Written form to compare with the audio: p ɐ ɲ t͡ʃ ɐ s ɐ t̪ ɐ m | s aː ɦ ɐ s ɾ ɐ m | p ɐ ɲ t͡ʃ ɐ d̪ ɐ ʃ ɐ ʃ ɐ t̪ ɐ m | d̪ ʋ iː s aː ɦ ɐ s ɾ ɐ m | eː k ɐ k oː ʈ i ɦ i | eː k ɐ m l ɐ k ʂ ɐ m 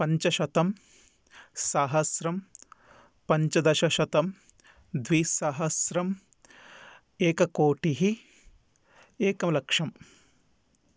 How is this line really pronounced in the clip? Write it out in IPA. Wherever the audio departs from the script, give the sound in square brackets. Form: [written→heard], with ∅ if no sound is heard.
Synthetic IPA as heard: p ɐ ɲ t͡ʃ ɐ [s→ʃ] ɐ t̪ ɐ m | s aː ɦ ɐ s ɾ ɐ m | p ɐ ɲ t͡ʃ ɐ d̪ ɐ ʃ ɐ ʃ ɐ t̪ ɐ m | d̪ ʋ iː s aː ɦ ɐ s ɾ ɐ m | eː k ɐ k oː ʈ i ɦ i | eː k ɐ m l ɐ k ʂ ɐ m